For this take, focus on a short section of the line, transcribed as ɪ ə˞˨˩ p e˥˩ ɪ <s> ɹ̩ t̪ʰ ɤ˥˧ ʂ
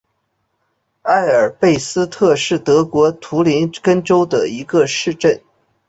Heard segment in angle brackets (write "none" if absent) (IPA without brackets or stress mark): s